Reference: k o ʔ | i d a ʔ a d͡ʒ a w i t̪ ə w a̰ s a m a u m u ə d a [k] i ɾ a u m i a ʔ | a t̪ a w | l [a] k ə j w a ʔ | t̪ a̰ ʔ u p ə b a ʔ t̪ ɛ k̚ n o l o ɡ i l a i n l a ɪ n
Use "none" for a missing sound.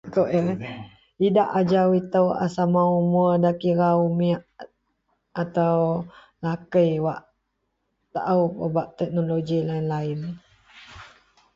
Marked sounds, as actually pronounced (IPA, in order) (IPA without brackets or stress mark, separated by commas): k, a